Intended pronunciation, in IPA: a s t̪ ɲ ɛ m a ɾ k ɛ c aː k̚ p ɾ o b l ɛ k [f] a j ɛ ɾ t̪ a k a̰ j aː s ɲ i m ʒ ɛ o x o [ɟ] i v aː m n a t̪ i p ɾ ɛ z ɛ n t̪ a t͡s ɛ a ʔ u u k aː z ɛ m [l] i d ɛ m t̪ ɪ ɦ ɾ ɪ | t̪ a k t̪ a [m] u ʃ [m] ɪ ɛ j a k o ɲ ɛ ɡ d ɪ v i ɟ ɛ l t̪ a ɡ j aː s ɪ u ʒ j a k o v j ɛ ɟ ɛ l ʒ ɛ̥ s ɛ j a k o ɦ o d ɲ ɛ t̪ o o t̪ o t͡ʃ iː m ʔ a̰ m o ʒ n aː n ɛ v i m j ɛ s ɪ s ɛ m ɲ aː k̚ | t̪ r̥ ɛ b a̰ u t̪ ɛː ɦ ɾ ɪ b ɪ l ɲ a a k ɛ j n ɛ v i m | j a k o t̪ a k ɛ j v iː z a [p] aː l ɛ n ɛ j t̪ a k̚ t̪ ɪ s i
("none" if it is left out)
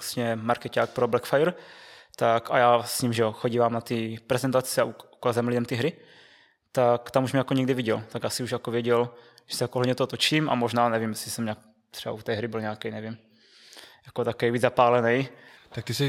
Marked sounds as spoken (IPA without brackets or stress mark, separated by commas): f, ɟ, l, m, m, p